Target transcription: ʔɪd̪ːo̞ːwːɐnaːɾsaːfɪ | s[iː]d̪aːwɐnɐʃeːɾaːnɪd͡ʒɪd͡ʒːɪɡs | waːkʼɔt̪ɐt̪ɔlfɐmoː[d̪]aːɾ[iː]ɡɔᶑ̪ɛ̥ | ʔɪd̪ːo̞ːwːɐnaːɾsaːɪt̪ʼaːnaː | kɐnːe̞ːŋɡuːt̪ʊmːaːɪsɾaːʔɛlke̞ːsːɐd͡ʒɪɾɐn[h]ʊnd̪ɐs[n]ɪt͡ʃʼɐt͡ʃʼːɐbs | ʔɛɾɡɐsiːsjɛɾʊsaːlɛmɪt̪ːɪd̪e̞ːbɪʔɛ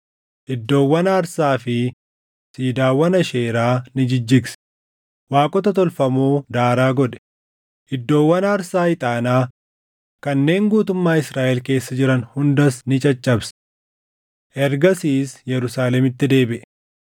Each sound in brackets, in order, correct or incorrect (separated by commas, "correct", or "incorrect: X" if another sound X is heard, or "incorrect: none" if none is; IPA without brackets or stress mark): correct, correct, incorrect: aː, correct, correct